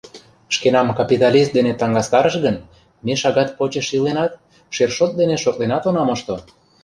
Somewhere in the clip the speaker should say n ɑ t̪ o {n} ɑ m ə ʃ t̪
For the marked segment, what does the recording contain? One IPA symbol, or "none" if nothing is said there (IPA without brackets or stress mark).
n